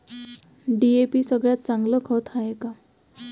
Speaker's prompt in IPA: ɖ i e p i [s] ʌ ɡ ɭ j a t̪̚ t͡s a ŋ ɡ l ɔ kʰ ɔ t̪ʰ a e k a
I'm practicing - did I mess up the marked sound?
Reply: no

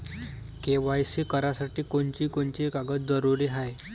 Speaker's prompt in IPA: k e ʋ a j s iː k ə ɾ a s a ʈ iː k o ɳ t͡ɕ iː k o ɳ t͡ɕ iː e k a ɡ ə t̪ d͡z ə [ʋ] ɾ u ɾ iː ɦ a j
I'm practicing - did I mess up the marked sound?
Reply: yes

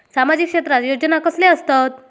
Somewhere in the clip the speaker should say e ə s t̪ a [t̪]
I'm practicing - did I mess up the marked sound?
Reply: no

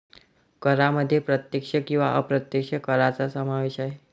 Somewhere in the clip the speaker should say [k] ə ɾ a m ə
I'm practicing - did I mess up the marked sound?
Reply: no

